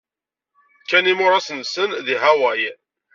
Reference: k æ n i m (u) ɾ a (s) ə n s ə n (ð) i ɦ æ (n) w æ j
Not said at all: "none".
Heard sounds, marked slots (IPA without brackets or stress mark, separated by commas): ʊ, s, ð, none